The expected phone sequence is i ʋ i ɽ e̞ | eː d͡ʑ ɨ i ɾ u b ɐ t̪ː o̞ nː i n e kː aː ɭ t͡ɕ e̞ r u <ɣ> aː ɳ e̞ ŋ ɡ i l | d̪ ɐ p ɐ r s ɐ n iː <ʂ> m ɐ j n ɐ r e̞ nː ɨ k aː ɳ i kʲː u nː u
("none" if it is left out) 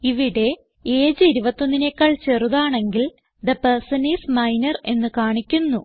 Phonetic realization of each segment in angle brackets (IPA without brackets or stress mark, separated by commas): ð, s